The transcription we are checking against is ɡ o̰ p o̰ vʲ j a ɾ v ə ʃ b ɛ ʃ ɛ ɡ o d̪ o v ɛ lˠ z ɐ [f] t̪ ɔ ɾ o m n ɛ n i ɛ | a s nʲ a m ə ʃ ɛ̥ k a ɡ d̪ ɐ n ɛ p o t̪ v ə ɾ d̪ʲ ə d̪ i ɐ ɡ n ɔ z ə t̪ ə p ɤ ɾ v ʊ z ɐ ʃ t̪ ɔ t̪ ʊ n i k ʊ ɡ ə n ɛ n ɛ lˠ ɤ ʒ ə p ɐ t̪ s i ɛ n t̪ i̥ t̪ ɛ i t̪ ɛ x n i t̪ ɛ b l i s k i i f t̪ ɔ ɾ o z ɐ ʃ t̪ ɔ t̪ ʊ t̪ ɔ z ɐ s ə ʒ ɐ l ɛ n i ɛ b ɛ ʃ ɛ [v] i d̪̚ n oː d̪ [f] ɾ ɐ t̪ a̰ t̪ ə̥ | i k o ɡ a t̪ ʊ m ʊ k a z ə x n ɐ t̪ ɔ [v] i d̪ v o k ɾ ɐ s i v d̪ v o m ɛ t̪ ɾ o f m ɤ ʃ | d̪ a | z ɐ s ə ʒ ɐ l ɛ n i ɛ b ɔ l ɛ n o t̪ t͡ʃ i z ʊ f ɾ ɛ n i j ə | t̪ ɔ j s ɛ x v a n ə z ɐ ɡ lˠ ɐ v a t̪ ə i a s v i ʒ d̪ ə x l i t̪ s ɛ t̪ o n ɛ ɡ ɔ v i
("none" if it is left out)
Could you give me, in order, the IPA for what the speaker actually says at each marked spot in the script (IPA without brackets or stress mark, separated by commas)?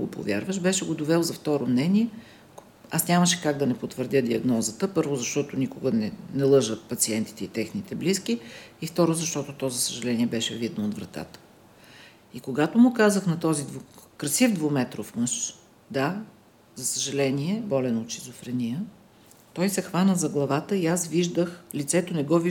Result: f, v, v, z